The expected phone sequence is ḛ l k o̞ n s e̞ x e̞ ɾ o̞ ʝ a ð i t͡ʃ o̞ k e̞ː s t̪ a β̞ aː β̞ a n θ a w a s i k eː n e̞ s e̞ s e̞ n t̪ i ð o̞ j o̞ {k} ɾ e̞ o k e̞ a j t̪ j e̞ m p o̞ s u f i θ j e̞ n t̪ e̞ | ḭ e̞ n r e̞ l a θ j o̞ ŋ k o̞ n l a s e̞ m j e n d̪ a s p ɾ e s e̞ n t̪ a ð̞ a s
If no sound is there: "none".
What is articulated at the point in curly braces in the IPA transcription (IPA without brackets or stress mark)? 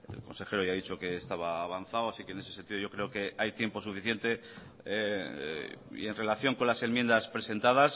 k